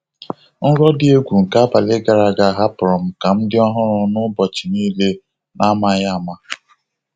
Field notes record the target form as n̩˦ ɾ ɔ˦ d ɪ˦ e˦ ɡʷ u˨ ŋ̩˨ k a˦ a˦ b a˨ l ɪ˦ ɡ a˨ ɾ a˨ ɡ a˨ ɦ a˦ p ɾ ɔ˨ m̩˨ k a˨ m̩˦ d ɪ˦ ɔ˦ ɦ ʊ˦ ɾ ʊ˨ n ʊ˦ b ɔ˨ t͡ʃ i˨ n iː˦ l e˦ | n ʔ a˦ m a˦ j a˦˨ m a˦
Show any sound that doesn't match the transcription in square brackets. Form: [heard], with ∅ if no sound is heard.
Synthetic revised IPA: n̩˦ ɾ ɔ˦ d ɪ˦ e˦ ɡʷ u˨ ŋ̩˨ k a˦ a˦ b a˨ l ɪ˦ ɡ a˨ ɾ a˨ ɡ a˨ ɦ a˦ p ɾ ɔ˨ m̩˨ k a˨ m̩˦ d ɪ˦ ɔ˦ ɦ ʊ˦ ɾ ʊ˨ n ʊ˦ b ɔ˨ t͡ʃ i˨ n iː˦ l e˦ | n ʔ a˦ m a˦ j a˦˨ m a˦

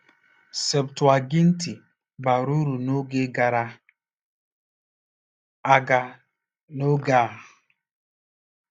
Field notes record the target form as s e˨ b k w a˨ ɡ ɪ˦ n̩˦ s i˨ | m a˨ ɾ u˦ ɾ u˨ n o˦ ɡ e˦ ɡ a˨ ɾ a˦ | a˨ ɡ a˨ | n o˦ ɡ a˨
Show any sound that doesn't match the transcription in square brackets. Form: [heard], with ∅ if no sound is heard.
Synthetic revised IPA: s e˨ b [t] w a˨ ɡ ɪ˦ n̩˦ [t] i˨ | [b] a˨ ɾ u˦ ɾ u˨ n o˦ ɡ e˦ ɡ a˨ ɾ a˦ | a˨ ɡ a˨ | n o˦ ɡ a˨

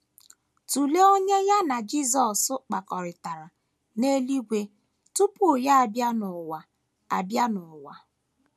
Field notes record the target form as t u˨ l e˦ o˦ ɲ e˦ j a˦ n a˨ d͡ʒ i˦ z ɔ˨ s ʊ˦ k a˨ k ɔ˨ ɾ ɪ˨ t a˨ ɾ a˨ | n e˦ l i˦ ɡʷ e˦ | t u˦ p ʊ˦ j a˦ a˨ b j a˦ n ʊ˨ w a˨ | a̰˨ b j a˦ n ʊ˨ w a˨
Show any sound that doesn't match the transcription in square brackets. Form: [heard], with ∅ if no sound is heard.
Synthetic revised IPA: t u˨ l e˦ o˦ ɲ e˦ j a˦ n a˨ d͡ʒ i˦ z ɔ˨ s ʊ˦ [k͡p] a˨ k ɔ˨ ɾ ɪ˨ t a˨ ɾ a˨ | n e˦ l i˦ ɡʷ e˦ | t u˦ p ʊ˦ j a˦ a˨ b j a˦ n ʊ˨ w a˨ | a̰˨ b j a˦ n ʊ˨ w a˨

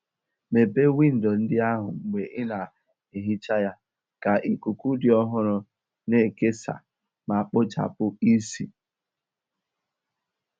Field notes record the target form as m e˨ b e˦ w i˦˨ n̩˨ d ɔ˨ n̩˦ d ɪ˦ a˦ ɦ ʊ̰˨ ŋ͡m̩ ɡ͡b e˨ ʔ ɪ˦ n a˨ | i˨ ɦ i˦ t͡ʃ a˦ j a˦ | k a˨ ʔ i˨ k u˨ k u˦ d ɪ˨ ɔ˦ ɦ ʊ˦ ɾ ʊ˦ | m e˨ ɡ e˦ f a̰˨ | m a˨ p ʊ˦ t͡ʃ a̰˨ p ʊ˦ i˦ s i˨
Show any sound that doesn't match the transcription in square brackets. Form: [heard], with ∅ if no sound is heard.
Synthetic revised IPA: m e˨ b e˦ w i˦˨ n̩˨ d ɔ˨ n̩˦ d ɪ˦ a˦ ɦ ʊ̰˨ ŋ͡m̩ ɡ͡b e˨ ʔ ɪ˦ n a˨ | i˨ ɦ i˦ t͡ʃ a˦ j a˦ | k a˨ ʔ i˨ k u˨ k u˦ d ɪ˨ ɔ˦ ɦ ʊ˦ ɾ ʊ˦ | [n] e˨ [k] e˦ [s] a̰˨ | m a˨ [k͡p] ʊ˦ t͡ʃ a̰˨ p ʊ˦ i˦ s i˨

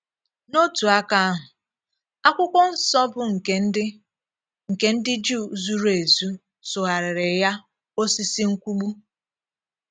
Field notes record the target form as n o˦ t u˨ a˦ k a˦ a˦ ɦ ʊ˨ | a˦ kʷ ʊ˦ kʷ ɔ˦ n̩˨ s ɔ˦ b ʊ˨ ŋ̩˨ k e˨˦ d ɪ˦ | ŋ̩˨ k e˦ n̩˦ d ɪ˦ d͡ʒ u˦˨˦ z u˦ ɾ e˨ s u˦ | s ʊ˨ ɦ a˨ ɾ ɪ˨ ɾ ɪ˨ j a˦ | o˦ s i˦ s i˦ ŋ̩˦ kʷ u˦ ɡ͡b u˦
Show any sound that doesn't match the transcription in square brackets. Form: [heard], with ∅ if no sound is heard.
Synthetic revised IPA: n o˦ t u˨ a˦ k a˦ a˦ ɦ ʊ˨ | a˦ kʷ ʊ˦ kʷ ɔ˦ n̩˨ s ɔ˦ b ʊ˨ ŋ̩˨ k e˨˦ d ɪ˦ | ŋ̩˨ k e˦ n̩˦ d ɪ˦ d͡ʒ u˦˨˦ z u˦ ɾ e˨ [z] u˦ | s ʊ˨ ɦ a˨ ɾ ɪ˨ ɾ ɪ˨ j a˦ | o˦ s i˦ s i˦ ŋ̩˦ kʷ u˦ ɡ͡b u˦

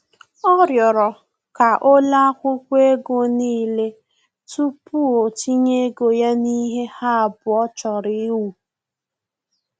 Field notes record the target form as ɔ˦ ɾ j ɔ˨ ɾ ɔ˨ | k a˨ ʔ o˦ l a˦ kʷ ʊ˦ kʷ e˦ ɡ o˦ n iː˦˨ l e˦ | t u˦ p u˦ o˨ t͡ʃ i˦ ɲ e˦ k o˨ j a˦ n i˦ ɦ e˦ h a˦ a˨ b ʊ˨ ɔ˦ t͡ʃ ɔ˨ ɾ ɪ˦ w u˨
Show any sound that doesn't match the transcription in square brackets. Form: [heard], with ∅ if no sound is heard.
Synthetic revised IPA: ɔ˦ ɾ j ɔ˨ ɾ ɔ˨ | k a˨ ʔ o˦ l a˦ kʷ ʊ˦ kʷ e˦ ɡ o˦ n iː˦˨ l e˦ | t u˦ p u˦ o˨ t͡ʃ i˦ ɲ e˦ [ɡ] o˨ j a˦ n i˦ ɦ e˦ h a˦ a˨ b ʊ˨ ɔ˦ t͡ʃ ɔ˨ ɾ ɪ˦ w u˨

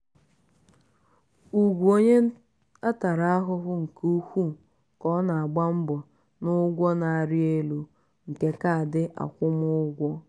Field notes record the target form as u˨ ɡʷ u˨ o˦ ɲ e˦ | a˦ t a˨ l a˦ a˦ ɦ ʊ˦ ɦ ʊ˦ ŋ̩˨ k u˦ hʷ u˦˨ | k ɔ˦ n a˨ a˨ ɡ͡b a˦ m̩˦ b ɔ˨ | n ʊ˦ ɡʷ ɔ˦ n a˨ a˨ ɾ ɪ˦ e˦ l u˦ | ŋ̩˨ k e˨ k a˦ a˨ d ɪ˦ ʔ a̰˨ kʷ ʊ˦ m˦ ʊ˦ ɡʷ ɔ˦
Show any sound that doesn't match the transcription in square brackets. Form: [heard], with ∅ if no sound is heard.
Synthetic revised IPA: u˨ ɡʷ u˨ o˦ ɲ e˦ | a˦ t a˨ [ɾ] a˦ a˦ ɦ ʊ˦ ɦ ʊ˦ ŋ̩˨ k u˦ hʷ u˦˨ | k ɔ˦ n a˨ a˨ ɡ͡b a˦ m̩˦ b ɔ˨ | n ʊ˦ ɡʷ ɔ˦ n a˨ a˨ ɾ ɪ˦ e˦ l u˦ | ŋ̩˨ k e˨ k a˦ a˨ d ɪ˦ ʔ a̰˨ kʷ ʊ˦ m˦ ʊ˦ ɡʷ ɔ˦

